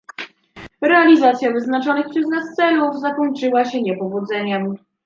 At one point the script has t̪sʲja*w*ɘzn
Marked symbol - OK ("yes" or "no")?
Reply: no